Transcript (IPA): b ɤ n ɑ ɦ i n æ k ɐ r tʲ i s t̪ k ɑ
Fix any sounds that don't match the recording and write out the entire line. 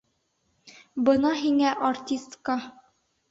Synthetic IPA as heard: b ɤ n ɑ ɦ i ŋ æ ʔ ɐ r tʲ i s t̪ k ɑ